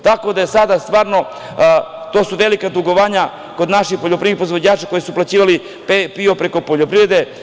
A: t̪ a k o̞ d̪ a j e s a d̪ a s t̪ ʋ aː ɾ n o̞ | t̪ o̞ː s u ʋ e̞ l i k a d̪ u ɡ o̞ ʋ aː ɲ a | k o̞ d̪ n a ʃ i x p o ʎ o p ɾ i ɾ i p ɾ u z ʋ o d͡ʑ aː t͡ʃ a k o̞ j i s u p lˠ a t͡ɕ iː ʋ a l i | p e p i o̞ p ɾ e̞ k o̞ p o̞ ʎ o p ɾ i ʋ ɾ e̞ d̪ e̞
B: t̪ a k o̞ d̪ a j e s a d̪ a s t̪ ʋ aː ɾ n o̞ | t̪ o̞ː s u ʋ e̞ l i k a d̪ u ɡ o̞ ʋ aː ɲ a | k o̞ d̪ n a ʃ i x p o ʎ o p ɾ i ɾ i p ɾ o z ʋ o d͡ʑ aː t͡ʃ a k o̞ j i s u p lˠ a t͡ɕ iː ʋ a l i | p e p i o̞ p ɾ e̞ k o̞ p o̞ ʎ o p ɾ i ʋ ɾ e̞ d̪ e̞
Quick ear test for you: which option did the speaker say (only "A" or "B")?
B